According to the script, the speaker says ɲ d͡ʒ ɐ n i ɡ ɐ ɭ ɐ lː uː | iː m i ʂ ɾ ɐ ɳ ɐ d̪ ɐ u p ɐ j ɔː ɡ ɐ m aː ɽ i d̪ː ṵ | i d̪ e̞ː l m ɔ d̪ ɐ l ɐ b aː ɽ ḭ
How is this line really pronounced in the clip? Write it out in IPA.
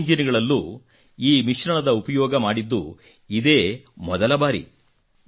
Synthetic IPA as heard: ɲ d͡ʒ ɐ n i ɡ ɐ ɭ ɐ lː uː | iː m i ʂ ɾ ɐ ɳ ɐ d̪ ɐ u p ɐ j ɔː ɡ ɐ m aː ɽ i d̪ː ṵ | i d̪ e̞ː m ɔ d̪ ɐ l ɐ b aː ɾ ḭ